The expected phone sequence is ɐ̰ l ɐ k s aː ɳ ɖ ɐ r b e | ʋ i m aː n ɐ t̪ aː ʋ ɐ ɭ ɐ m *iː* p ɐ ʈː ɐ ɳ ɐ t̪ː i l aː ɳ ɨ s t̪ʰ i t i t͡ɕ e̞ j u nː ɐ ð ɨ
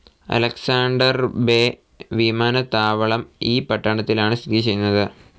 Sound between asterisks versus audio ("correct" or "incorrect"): correct